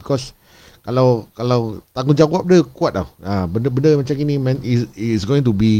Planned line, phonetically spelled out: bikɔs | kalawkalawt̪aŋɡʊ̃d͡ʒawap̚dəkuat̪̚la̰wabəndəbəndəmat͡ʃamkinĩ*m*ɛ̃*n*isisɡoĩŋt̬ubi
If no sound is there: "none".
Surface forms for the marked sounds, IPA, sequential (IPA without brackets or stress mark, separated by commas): m, n